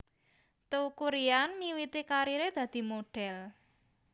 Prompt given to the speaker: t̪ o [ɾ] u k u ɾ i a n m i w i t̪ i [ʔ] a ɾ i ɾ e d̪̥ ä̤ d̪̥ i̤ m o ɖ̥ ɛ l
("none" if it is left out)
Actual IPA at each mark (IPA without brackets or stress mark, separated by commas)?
none, k